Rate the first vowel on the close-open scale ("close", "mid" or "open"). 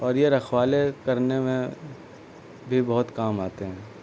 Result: mid